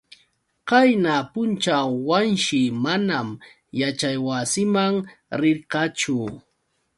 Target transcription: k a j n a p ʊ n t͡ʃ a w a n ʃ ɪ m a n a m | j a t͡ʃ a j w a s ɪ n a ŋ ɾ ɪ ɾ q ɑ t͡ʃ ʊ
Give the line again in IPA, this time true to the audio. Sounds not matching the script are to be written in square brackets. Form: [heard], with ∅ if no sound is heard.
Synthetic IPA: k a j n a p ʊ n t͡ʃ a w a n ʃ ɪ m a n a m | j a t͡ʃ a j w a s ɪ [m] a ŋ ɾ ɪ ɾ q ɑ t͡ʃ ʊ